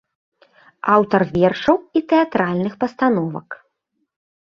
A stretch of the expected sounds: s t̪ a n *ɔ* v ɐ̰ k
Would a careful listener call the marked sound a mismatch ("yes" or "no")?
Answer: no